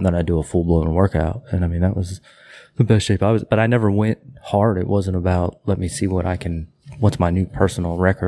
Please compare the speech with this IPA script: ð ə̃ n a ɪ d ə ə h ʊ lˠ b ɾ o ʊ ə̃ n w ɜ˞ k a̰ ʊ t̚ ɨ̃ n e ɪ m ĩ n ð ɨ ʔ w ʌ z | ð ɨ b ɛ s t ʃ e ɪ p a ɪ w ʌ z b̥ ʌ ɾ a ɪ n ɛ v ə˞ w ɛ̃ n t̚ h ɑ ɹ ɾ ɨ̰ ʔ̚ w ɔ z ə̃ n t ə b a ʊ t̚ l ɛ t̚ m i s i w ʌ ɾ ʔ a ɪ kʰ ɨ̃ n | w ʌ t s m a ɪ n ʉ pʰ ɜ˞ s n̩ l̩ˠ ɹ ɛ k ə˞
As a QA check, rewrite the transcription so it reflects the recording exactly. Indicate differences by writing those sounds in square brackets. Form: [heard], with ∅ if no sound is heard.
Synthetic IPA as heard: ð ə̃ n a ɪ d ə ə [f] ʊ lˠ b [l] o ʊ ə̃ n w ɜ˞ k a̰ ʊ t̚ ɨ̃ n [a] ɪ m ĩ n ð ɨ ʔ w ʌ z | ð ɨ b ɛ s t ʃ e ɪ p a ɪ w ʌ z b̥ ʌ ɾ a ɪ n ɛ v ə˞ w ɛ̃ n t̚ h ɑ ɹ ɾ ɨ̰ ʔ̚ w [ʌ] z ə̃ n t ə b a ʊ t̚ l ɛ t̚ m i s i w ʌ ɾ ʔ a ɪ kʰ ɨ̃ n | w ʌ t s m a ɪ n ʉ pʰ ɜ˞ s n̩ l̩ˠ ɹ ɛ k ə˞